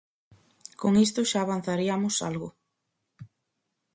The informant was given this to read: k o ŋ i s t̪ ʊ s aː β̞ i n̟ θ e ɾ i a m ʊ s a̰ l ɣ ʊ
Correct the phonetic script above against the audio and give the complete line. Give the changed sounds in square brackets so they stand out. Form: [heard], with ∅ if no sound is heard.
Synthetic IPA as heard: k o ŋ i s t̪ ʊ [ʃ] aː β̞ [a] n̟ θ [a] ɾ i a m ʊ s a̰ l ɣ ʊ